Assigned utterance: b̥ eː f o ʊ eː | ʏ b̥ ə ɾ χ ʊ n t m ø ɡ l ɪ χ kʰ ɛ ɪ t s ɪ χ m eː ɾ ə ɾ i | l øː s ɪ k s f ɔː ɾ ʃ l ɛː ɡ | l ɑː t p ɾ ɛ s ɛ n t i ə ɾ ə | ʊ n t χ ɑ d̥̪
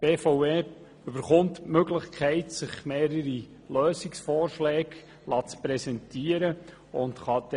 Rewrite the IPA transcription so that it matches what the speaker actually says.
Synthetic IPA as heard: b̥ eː f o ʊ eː | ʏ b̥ ə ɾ χ ʊ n t m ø ɡ l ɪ χ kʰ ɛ ɪ t s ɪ χ m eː ɾ ə ɾ i | l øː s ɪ k s f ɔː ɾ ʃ l ɛː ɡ | l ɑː t͡s p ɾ ɛ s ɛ n t i ə ɾ ə | ʊ n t χ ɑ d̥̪